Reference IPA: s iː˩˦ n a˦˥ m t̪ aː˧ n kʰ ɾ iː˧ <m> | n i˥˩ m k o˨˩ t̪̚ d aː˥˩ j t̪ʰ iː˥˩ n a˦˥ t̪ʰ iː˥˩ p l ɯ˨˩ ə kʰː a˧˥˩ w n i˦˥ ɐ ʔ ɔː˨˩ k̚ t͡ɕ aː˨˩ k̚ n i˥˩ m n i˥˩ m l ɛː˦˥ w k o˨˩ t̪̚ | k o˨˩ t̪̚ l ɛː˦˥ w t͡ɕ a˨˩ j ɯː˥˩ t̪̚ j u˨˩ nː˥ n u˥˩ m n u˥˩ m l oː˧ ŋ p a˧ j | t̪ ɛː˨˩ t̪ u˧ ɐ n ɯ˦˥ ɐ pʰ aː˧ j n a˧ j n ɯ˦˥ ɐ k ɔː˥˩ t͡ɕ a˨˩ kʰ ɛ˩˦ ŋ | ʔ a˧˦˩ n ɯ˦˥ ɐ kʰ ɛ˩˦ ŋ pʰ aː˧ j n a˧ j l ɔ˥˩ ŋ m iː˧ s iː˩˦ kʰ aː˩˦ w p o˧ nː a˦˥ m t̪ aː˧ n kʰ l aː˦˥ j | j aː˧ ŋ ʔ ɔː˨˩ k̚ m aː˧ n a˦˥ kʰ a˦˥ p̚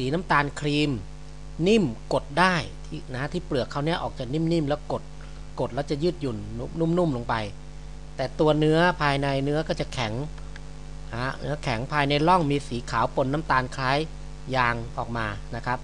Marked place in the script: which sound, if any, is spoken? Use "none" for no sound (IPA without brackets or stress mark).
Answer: m